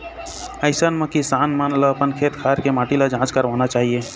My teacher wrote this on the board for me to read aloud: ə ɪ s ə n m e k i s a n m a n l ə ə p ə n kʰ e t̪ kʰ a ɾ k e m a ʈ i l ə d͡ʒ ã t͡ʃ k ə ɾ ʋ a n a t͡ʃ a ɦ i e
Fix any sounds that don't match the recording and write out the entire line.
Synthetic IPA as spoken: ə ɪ s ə n m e k i s a n m a n l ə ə p ə n kʰ e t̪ kʰ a ɾ k e m a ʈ i l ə d͡ʒ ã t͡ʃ k ə ɾ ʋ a n a t͡ʃ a ɦ i e